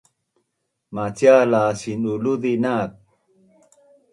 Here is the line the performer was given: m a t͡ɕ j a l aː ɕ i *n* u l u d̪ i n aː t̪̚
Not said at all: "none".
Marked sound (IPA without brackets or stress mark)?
n